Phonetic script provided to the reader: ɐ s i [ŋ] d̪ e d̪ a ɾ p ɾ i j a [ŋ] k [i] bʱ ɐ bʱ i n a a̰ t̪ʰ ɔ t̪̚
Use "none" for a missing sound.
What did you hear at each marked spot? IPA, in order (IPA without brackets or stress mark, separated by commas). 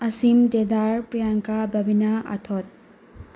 m, ŋ, a